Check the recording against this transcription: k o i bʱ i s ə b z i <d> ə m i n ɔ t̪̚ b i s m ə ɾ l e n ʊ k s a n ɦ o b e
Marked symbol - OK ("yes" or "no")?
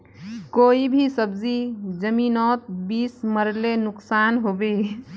no